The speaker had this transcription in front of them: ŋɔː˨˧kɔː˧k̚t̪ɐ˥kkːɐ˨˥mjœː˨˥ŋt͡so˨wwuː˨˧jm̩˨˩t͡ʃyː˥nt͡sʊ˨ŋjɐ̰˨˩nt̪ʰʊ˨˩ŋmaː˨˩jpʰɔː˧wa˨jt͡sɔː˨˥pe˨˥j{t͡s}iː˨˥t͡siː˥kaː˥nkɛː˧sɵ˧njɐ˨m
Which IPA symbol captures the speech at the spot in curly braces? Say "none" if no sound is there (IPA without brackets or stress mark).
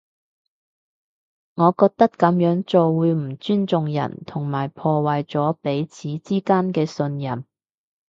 t͡sʰ